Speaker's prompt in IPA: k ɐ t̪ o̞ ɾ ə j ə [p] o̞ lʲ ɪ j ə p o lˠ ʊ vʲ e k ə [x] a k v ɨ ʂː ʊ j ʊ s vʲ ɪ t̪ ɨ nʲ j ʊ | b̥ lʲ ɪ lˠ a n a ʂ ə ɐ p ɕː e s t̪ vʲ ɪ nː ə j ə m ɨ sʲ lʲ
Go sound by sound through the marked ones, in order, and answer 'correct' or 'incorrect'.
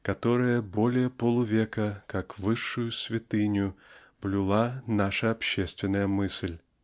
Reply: incorrect: b, incorrect: k

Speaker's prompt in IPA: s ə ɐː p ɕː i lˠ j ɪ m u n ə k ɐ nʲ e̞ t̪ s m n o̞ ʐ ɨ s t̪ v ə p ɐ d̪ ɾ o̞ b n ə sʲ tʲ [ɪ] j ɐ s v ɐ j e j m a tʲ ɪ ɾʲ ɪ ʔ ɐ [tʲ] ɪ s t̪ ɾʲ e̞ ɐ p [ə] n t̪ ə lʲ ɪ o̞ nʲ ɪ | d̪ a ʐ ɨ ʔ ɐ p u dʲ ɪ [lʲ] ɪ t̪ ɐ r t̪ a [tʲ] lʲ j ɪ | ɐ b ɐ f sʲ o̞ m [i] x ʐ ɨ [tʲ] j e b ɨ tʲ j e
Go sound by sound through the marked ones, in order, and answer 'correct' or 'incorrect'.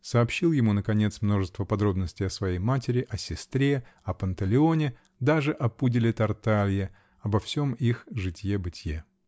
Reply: correct, incorrect: sʲ, correct, correct, incorrect: none, correct, correct

